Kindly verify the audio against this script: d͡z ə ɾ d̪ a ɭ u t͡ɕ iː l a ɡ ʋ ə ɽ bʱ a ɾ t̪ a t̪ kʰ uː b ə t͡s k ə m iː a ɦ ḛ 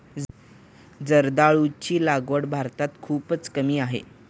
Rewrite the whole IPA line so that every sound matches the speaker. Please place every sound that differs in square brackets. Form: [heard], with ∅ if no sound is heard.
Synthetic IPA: d͡z ə ɾ d̪ a ɭ u t͡ɕ iː l a ɡ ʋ ə ɽ bʱ a ɾ t̪ a t̪ kʰ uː [p] ə t͡s k ə m iː a ɦ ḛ